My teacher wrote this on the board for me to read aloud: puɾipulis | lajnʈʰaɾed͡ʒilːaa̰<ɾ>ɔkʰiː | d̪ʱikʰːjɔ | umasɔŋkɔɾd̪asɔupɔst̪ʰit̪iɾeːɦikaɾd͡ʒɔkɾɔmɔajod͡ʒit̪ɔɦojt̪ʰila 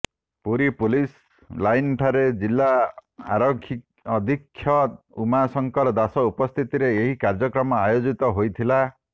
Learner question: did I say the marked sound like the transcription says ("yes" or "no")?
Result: yes